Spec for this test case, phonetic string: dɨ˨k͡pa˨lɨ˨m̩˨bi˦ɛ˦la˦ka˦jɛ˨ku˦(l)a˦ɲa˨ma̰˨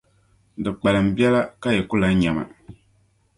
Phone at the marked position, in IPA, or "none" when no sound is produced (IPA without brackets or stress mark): l